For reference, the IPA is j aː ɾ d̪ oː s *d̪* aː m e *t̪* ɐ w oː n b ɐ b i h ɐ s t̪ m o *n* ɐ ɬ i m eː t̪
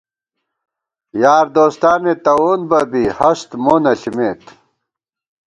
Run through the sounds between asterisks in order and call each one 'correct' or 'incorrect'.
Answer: incorrect, correct, correct

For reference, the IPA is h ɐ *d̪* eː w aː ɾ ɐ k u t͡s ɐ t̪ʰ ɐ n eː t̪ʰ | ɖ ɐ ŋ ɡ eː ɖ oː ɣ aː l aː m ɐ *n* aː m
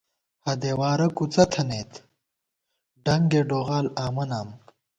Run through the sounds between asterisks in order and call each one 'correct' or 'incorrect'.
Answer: correct, correct

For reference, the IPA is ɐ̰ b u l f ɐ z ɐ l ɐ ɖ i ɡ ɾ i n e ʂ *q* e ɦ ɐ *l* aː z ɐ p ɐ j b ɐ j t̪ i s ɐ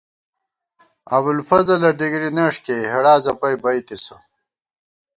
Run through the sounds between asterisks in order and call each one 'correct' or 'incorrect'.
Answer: incorrect, incorrect

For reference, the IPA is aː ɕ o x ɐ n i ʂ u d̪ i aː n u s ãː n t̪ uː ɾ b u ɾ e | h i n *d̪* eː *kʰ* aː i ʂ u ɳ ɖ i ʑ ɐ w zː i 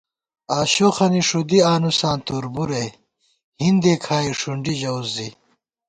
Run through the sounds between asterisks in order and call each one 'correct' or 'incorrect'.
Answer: correct, correct

